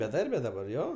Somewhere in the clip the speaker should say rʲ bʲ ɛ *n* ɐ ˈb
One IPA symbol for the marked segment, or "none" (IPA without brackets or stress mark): d